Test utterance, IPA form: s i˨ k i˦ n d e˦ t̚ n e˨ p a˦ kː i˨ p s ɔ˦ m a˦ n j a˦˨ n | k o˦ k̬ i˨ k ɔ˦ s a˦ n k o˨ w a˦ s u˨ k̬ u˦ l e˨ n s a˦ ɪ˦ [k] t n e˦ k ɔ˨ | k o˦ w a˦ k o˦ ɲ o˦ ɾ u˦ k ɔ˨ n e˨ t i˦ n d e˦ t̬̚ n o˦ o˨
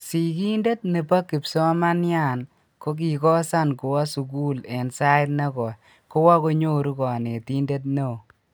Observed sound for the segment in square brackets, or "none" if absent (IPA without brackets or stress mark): none